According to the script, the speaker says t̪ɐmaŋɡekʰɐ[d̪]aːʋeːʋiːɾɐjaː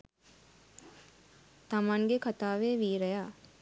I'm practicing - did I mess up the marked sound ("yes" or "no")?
yes